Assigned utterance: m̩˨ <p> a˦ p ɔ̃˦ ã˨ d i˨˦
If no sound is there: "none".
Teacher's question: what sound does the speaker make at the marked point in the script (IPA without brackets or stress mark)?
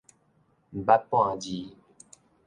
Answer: b